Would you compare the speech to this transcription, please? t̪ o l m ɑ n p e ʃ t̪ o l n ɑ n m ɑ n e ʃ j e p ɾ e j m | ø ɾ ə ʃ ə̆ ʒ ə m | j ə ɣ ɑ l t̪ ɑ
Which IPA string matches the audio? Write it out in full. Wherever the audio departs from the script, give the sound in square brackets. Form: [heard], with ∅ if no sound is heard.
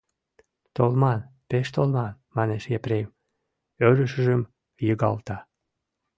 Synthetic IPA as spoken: t̪ o l m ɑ n p e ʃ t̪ o l [m] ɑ n m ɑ n e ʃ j e p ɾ e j m | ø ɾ ə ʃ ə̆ ʒ ə m | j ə ɣ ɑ l t̪ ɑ